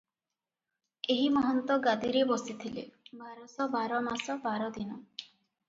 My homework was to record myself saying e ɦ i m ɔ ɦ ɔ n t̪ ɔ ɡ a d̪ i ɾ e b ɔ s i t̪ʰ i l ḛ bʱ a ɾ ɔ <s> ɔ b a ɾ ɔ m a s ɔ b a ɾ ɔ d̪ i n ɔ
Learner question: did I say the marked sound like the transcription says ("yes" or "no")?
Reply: yes